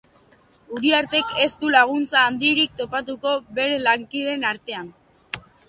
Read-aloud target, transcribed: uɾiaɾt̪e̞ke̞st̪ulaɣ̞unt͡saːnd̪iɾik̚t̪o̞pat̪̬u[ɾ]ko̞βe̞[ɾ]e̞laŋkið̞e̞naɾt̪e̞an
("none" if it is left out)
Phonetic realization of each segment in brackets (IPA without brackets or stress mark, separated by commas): none, ɾ